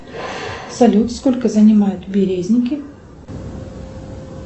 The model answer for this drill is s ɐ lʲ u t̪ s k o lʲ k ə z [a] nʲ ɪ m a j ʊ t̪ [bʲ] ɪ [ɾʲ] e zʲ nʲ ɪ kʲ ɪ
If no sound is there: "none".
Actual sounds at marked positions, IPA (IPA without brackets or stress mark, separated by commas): ə, bʲ, ɾʲ